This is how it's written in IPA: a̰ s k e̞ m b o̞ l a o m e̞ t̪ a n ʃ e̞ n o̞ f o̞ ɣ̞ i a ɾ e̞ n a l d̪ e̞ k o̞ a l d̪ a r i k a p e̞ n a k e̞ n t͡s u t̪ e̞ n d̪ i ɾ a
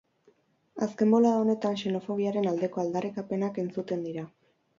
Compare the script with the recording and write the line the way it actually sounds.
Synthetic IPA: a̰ s k e̞ m b o̞ l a o n e̞ t̪ a n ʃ e̞ n o̞ f o̞ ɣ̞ i a ɾ e̞ n a l d̪ e̞ k o̞ a l d̪ a r i k a p e̞ n a k e̞ n t͡s u t̪ e̞ n d̪ i ɾ a